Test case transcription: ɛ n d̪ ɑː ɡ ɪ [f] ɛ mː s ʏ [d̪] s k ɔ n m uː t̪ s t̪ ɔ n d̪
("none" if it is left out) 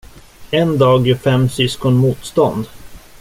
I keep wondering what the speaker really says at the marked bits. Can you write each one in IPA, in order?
f, none

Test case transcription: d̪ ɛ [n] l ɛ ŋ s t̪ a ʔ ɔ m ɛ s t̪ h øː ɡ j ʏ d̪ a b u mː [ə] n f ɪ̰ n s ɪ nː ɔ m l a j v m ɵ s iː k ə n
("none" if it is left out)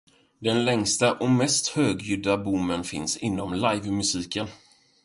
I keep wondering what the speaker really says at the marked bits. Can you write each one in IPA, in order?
n, ə

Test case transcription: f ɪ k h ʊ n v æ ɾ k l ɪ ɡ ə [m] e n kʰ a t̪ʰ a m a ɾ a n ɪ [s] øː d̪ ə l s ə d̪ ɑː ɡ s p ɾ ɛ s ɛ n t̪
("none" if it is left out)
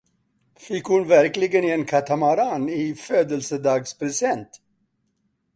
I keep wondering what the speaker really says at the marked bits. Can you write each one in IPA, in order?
n, f

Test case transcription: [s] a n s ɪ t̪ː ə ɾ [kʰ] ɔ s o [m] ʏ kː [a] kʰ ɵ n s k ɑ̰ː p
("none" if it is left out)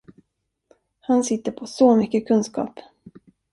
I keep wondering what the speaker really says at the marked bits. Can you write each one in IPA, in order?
h, pʰ, m, ə

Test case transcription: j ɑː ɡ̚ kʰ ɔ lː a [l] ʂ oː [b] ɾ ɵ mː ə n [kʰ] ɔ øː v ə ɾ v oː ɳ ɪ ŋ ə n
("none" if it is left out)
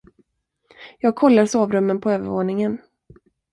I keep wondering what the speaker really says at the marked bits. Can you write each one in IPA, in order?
ɾ, v, pʰ

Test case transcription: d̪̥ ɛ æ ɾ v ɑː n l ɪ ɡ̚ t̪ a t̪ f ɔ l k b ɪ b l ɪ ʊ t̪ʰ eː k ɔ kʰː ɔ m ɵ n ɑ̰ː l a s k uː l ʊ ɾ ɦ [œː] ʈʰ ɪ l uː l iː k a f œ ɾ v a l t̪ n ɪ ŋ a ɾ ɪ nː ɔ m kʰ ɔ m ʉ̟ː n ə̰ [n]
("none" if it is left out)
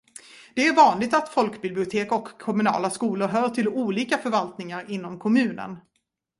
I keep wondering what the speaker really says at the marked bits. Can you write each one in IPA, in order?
œː, n

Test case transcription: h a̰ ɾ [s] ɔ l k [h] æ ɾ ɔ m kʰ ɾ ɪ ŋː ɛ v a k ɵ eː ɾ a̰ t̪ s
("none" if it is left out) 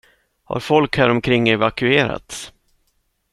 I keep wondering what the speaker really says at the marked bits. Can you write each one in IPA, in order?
f, h

